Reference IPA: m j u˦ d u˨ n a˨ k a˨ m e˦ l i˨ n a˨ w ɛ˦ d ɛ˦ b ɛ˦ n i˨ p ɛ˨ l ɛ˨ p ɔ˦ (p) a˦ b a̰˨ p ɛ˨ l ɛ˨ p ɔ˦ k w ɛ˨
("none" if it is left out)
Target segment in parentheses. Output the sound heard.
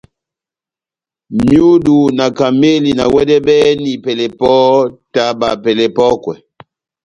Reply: t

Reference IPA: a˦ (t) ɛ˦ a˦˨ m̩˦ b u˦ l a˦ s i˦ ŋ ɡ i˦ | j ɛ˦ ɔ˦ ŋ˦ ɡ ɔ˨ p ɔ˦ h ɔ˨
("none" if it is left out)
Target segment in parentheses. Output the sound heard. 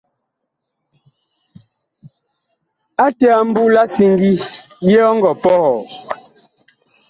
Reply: t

